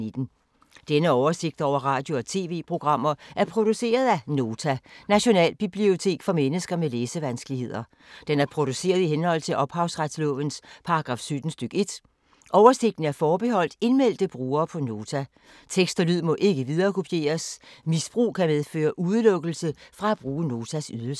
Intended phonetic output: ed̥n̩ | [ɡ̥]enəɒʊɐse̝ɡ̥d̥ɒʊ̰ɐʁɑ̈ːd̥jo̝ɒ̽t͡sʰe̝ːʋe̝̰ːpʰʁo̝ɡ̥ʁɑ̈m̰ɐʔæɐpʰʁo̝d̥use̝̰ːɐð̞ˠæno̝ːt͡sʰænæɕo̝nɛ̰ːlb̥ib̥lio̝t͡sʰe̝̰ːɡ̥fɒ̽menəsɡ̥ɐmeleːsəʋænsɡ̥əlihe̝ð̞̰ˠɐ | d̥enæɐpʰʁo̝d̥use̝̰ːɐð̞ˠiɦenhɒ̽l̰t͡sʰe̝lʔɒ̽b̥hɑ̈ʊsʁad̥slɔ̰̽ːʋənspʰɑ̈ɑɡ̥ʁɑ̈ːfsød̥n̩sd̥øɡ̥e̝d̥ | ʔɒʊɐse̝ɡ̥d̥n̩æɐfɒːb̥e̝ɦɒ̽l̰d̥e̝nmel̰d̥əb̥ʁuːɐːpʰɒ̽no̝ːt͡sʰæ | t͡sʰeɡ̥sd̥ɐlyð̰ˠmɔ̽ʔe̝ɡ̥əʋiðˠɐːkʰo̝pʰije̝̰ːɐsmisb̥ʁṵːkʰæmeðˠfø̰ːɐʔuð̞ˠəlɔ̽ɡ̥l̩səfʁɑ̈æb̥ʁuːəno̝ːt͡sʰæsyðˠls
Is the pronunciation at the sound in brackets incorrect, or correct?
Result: incorrect